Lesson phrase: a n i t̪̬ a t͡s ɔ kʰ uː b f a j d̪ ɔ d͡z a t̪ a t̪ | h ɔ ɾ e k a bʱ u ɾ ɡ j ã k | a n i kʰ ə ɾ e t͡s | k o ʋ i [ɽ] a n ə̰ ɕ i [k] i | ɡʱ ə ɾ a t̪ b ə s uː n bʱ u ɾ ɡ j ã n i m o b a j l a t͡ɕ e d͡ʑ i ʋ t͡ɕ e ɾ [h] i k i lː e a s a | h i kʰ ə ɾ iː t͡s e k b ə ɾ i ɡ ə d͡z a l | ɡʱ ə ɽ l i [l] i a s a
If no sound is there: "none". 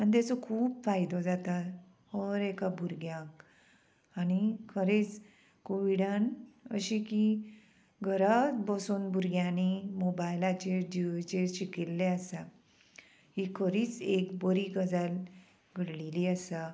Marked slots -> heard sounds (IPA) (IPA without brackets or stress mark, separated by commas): ɽ, k, ɕ, l